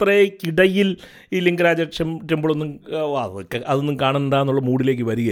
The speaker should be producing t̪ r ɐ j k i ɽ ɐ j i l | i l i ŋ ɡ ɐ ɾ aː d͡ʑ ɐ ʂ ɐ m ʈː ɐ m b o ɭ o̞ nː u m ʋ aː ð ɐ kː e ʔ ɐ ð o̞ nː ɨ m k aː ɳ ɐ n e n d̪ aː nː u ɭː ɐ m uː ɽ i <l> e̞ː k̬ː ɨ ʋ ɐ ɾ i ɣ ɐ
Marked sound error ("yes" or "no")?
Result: no